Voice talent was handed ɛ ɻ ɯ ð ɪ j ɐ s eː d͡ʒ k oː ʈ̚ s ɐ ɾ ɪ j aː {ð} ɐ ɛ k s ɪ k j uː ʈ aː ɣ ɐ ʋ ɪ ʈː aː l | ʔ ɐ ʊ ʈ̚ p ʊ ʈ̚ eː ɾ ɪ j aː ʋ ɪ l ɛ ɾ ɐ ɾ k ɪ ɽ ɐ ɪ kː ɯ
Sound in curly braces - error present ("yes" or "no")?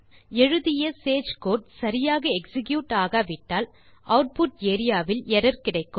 yes